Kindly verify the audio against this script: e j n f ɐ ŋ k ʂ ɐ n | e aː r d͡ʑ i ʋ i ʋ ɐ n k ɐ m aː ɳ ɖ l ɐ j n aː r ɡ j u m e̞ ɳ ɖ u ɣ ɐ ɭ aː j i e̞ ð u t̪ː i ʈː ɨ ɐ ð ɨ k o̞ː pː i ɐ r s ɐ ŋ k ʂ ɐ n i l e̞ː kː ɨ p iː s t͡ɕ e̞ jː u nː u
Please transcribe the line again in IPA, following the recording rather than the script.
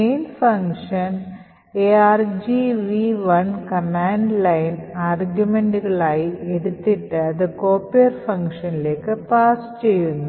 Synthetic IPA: e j n f ɐ ŋ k ʂ ɐ n | e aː r d͡ʑ i ʋ i ʋ ɐ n k ɐ m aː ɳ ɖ l ɐ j n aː r ɡ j u m e̞ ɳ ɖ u ɣ ɐ ɭ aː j i e̞ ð u t̪ː i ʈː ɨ ɐ ð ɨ k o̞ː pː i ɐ r f ɐ ŋ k ʂ ɐ n i l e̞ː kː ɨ p aː s t͡ɕ e̞ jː u nː u

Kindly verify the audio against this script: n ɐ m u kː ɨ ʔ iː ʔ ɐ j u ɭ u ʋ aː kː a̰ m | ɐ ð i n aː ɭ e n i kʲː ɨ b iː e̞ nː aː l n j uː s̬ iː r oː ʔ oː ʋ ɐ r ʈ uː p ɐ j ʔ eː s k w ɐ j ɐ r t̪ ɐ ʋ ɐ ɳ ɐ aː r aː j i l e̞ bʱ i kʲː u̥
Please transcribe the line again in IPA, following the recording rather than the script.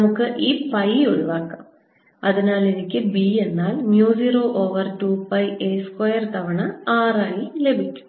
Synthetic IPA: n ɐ m u kː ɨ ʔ iː p ɐ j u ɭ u ʋ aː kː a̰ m | ɐ ð i n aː l e n i kʲː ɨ b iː e̞ nː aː l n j uː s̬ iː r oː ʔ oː ʋ ɐ r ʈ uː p ɐ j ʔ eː s k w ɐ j ɐ r t̪ ɐ ʋ ɐ ɳ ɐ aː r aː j i l e̞ bʱ i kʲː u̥

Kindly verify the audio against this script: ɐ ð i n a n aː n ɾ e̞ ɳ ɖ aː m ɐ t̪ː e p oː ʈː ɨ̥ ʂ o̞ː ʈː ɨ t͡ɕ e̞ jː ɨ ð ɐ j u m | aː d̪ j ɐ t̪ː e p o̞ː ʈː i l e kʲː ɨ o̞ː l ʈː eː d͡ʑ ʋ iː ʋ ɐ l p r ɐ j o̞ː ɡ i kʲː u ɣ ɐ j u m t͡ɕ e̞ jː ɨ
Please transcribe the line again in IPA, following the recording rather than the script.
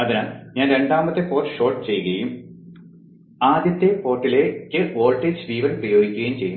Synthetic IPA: ɐ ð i n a ɲ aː n ɾ e̞ ɳ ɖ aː m ɐ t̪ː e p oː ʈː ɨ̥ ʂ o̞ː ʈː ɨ t͡ɕ e̞ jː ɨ ɣ ɐ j u m | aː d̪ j ɐ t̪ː e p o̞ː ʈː i l e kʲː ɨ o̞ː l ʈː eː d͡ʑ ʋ iː ʋ ɐ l p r ɐ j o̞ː ɡ i kʲː u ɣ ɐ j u m t͡ɕ e̞ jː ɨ

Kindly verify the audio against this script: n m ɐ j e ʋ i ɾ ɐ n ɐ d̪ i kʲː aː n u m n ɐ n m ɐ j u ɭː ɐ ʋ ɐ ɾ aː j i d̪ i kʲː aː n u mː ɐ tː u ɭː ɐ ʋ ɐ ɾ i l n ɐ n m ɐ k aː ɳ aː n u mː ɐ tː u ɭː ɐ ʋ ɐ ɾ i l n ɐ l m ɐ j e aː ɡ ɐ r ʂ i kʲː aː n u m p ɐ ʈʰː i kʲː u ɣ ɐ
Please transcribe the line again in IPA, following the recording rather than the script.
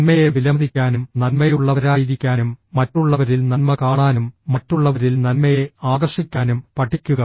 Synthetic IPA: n m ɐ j e ʋ i l ɐ m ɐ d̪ i kʲː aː n u m n ɐ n m ɐ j u ɭː ɐ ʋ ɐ ɾ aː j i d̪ i kʲː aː n u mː ɐ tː u ɭː ɐ ʋ ɐ ɾ i l n ɐ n m ɐ k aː ɳ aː n u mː ɐ tː u ɭː ɐ ʋ ɐ ɾ i l n ɐ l m ɐ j e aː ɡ ɐ r ʂ i kʲː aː n u m p ɐ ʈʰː i kʲː u ɣ ɐ

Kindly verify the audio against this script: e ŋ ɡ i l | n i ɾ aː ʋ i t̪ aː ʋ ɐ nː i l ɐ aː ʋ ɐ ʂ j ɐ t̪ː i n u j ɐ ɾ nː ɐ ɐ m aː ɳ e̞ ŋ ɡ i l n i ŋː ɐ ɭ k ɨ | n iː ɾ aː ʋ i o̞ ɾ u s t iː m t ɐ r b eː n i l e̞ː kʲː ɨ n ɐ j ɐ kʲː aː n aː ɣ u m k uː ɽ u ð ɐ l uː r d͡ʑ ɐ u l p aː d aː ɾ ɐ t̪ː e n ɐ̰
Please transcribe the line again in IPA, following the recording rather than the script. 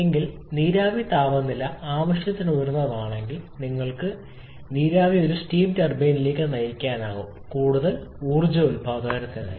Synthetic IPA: e ŋ ɡ i l | n iː ɾ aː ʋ i t̪ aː ʋ ɐ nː i l ɐ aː ʋ ɐ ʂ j ɐ t̪ː i n u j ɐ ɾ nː ɐ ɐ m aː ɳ e̞ ŋ ɡ i l n i ŋː ɐ ɭ k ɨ | n iː ɾ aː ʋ i o̞ ɾ u s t iː m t ɐ r b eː n i l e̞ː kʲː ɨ n ɐ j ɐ kʲː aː n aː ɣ u m k uː ɽ u ð ɐ l uː r d͡ʑ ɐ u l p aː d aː ɾ ɐ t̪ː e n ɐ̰

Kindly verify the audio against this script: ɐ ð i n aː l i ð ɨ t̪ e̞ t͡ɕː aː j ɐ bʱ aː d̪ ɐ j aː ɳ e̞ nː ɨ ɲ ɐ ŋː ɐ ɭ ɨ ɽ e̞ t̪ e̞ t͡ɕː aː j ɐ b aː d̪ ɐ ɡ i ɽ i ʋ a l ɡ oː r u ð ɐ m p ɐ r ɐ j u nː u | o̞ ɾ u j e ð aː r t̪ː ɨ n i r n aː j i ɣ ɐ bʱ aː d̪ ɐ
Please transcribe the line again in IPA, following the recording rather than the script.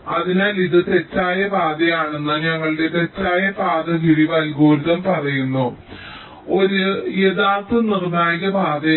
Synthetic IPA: ɐ ð i n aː l i ð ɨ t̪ e̞ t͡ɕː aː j ɐ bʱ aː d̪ ɐ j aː ɳ e̞ nː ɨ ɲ ɐ ŋː ɐ ɭ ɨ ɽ e̞ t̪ e̞ t͡ɕː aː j ɐ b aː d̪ ɐ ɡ i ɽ i ʋ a l ɡ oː ɾ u ð ɐ m p ɐ r ɐ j u nː u | o̞ ɾ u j e ð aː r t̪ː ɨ n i r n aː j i ɣ ɐ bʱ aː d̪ ɐ

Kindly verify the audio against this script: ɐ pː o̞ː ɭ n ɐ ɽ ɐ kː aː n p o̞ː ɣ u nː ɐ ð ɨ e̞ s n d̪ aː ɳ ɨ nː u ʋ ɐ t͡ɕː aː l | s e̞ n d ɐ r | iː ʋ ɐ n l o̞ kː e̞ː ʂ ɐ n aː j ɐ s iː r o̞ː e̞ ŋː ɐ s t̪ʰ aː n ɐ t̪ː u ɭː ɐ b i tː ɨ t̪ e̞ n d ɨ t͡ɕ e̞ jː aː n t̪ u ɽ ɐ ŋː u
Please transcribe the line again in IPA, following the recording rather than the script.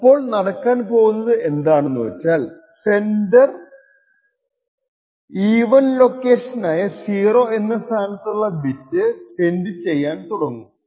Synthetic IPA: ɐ pː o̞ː ɭ n ɐ ɽ ɐ kː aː n p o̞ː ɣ u nː ɐ ð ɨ e̞ n d̪ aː ɳ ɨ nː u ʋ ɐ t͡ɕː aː l | s e̞ n d ɐ r | iː ʋ ɐ n l o̞ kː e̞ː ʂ ɐ n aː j ɐ s iː r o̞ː e̞ nː ɐ s t̪ʰ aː n ɐ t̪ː u ɭː ɐ b i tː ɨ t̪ e̞ n d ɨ t͡ɕ e̞ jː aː n t̪ u ɽ ɐ ŋː u

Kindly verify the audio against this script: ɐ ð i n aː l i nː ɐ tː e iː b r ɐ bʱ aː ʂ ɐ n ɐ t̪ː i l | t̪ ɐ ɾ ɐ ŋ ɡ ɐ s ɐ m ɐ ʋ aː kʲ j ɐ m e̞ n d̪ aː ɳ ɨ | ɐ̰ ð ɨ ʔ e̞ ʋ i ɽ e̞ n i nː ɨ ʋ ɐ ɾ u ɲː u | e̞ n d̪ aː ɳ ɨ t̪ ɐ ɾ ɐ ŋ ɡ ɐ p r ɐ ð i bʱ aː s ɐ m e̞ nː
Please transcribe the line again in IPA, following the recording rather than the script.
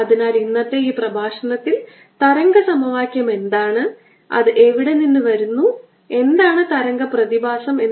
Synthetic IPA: ɐ ð i n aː l i nː ɐ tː e iː p r ɐ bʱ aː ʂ ɐ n ɐ t̪ː i l | t̪ ɐ ɾ ɐ ŋ ɡ ɐ s ɐ m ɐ ʋ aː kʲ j ɐ m e̞ n d̪ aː ɳ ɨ | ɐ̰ ð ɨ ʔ e̞ ʋ i ɽ e̞ n i nː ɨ ʋ ɐ ɾ u nː u | e̞ n d̪ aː ɳ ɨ t̪ ɐ ɾ ɐ ŋ ɡ ɐ p r ɐ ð i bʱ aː s ɐ m e̞ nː

